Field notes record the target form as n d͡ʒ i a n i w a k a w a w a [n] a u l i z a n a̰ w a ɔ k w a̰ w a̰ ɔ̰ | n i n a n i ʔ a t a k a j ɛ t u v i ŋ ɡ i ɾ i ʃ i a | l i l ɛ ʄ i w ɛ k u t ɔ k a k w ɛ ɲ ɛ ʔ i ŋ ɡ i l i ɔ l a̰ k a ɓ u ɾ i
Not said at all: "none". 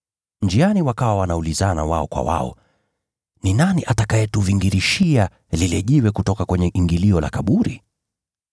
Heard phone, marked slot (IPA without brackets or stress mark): n